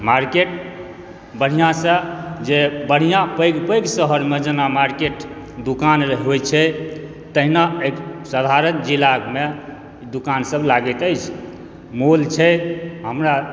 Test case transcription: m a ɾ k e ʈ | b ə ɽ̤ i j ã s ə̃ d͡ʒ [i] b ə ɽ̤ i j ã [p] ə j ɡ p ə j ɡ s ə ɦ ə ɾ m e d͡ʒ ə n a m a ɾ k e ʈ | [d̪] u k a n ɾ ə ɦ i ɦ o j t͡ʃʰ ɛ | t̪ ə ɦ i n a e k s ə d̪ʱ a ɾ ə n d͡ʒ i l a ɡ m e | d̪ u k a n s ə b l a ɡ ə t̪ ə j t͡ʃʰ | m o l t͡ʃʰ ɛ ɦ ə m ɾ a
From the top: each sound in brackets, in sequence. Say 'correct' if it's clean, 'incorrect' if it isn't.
incorrect: e, correct, correct

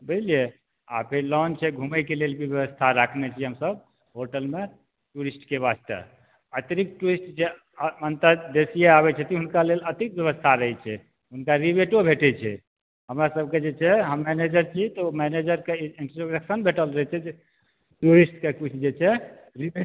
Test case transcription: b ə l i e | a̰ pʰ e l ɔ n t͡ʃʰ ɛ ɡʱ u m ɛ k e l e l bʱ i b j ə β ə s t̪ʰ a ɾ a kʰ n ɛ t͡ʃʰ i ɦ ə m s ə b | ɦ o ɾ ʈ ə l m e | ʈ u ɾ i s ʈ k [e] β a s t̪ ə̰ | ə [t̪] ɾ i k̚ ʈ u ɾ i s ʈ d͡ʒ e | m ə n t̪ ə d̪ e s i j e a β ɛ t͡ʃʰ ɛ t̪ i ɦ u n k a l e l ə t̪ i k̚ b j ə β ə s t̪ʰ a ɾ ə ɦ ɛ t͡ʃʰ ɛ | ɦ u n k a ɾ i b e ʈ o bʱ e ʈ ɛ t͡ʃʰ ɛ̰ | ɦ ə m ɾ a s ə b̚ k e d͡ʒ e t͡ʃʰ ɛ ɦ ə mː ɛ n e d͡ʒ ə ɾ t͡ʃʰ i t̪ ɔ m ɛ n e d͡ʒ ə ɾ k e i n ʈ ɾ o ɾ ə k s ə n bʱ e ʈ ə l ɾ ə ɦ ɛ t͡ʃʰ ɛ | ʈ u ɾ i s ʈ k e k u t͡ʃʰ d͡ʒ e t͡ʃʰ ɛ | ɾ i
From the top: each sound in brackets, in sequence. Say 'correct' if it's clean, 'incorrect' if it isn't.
correct, correct

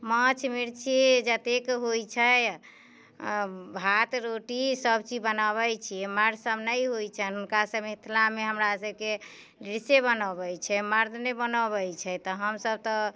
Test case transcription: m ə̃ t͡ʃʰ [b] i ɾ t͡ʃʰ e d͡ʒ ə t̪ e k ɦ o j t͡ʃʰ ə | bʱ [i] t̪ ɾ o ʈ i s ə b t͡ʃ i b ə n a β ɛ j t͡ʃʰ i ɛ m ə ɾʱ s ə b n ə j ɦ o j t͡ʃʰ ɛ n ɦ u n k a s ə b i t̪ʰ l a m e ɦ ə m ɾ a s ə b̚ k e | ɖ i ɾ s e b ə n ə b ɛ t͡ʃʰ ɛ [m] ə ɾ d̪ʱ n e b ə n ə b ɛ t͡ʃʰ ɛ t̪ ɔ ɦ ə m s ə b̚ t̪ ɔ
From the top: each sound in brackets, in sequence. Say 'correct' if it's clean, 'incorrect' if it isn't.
incorrect: m, incorrect: a, correct

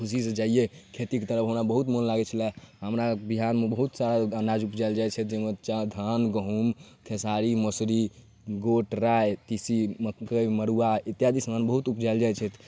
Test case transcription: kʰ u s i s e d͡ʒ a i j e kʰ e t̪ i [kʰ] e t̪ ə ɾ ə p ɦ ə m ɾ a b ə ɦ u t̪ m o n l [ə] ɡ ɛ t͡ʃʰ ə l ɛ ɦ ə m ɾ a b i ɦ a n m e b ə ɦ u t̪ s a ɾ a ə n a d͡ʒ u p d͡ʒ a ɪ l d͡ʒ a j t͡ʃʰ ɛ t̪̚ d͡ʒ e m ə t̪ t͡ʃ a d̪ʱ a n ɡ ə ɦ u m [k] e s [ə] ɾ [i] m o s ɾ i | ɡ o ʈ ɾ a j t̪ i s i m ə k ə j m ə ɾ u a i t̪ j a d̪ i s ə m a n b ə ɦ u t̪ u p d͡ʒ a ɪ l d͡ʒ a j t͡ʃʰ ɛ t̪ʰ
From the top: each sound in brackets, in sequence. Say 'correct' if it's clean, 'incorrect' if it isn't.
incorrect: k, incorrect: a, incorrect: kʰ, incorrect: a, correct

